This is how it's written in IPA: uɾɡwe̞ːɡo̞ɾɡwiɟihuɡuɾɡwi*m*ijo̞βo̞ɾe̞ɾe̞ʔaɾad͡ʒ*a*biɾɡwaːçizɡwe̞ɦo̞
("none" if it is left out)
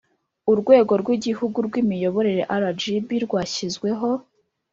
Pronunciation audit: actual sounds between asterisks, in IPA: m, i

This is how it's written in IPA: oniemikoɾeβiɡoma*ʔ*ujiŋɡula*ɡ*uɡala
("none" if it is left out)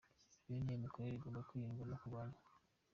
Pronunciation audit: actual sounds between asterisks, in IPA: k, k

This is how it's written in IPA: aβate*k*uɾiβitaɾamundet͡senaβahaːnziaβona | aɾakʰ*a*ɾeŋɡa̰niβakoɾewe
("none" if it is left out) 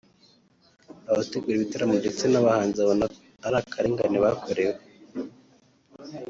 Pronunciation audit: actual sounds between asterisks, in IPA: ɡ, a

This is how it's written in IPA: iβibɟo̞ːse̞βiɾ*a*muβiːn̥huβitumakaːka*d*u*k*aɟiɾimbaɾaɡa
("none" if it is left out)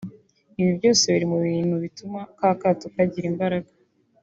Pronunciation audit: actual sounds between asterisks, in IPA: i, t, k

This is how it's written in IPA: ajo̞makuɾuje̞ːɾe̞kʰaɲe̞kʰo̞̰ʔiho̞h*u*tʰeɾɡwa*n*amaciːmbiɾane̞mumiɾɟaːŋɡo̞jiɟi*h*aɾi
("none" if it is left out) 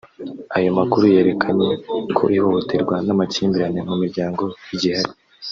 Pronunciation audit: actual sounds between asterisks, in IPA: o, n, h

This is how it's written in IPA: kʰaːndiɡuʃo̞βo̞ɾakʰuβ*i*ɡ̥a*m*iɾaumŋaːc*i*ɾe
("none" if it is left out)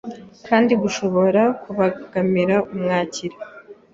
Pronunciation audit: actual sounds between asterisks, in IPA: a, m, i

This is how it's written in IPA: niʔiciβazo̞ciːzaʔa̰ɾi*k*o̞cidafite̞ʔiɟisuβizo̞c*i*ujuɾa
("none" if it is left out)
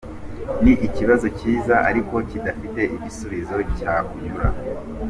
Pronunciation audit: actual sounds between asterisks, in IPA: k, a

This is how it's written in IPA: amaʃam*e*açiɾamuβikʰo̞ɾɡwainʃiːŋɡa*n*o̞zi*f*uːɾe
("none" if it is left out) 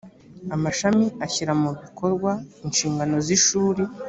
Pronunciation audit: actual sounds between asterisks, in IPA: i, n, ʃ

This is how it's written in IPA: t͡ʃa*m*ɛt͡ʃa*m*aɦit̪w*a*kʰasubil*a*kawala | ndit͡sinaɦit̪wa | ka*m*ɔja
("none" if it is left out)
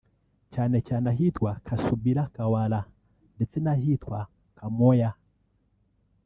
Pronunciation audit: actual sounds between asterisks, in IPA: n, n, a, a, m

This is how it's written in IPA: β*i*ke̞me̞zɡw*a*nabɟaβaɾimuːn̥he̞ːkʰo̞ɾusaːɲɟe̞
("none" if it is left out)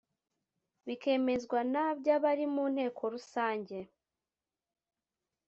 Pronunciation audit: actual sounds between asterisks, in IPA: i, a

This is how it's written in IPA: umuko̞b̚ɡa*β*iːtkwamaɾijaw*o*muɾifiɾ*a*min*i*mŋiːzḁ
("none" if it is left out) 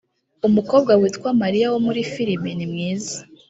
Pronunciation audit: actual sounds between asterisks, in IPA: w, o, i, i

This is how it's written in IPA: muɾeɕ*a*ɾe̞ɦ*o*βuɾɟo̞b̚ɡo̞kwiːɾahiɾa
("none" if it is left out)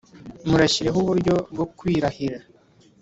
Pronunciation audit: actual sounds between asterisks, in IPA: i, u

